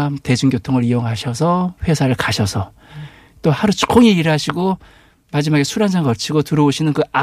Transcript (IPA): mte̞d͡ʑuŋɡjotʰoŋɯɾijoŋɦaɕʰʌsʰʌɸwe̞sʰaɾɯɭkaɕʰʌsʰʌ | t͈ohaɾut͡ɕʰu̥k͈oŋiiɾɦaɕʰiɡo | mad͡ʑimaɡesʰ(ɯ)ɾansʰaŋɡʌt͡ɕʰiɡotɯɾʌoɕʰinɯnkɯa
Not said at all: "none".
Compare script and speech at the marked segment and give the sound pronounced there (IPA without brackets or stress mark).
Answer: u